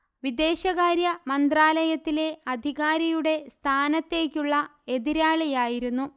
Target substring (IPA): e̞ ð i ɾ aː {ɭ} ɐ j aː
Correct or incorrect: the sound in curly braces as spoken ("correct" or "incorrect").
correct